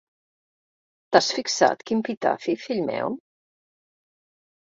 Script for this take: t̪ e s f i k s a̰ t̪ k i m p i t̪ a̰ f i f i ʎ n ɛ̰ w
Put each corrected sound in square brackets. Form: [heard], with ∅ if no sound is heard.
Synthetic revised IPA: t̪ [a] s f i k s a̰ t̪ k i m p i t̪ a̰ f i f i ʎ [m] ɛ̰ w